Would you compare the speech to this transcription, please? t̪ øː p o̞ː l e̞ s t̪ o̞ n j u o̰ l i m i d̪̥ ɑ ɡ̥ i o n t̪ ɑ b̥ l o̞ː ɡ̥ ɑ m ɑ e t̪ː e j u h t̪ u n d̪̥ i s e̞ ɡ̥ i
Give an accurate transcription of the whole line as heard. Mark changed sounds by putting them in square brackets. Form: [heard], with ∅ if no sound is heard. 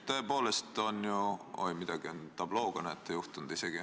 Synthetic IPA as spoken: t̪ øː p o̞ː l e̞ s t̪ o̞ n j u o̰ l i m i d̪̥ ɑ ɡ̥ i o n t̪ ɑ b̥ l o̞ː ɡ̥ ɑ [n] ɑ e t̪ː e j u h t̪ u n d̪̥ i s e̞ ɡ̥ i